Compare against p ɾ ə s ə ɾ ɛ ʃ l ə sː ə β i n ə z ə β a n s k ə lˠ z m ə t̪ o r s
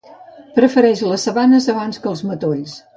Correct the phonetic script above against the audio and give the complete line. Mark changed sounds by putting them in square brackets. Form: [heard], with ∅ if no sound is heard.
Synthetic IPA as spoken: p ɾ ə [f] ə ɾ ɛ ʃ l ə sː ə β [a] n ə z ə β a n s k ə lˠ z m ə t̪ o [ʎ] s